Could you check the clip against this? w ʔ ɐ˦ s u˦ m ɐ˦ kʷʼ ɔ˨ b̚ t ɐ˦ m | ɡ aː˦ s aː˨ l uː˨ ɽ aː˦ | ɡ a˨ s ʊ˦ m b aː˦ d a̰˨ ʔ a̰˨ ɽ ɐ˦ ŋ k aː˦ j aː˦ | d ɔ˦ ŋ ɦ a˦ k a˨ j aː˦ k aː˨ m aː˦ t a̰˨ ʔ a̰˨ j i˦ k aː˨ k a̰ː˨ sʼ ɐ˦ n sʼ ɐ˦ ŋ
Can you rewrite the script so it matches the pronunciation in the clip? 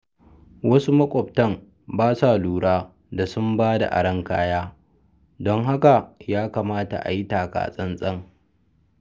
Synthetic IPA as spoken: w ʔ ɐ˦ s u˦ m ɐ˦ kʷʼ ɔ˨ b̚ t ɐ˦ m | b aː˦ s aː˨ l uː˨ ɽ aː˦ | d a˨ s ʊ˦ m b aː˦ d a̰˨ ʔ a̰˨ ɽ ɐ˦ ŋ k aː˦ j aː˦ | d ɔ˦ ŋ ɦ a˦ k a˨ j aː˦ k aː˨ m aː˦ t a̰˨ ʔ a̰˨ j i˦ t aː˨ k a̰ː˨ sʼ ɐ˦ n sʼ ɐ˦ ŋ